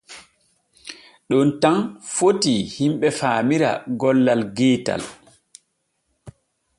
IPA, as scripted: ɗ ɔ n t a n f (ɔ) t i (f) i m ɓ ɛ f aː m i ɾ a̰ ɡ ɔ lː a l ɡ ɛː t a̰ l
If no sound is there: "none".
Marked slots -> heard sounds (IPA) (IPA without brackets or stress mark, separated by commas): o, h